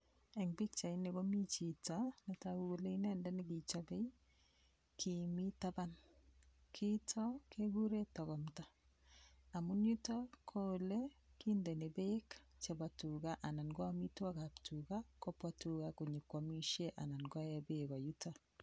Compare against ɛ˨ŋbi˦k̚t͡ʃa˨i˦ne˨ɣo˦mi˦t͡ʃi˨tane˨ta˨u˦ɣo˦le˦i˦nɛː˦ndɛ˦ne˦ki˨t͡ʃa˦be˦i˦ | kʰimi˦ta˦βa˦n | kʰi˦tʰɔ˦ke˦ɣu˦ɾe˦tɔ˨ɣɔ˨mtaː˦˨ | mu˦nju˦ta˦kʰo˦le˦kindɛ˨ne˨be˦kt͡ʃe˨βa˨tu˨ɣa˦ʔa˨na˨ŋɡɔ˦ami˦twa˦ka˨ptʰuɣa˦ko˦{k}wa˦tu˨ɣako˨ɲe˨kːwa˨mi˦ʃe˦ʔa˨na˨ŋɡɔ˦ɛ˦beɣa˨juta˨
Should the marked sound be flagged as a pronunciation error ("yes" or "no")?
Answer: yes